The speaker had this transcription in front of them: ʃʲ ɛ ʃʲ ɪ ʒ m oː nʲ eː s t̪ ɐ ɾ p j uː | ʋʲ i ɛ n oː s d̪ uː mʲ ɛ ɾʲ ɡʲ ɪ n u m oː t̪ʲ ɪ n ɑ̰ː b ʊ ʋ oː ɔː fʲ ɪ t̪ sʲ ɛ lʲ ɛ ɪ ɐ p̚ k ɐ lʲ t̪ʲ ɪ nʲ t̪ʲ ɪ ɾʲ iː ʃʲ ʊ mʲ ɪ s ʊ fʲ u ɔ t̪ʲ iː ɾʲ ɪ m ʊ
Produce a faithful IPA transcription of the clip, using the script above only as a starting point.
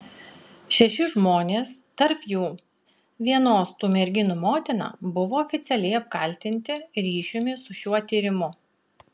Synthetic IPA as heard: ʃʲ ɛ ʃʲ ɪ ʒ m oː nʲ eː s t̪ ɐ ɾ p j uː | ʋʲ i ɛ n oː s t̪ uː mʲ ɛ ɾʲ ɡʲ ɪ n u m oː t̪ʲ ɪ n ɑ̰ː b ʊ ʋ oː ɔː fʲ ɪ t̪ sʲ ɛ lʲ ɛ ɪ ɐ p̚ k ɐ lʲ t̪ʲ ɪ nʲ t̪ʲ ɪ ɾʲ iː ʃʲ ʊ mʲ ɪ s ʊ ʃʲ u ɔ t̪ʲ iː ɾʲ ɪ m ʊ